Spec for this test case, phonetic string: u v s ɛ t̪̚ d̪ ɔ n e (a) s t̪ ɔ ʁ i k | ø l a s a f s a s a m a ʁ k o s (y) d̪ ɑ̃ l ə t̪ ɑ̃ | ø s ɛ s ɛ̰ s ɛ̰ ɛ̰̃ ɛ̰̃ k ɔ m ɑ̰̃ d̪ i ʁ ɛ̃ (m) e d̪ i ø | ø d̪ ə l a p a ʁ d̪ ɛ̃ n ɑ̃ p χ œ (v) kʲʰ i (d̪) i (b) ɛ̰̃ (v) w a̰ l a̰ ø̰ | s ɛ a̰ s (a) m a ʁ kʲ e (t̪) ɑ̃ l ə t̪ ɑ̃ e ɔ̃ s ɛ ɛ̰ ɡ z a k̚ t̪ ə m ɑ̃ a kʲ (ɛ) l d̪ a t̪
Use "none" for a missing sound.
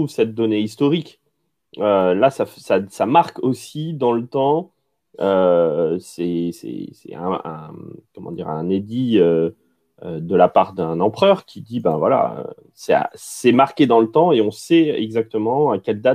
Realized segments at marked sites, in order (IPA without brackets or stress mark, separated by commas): i, i, n, ʁ, d̪, b, v, ɛ, d̪, ɛ